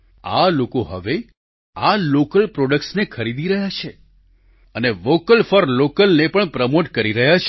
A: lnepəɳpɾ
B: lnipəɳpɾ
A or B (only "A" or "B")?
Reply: A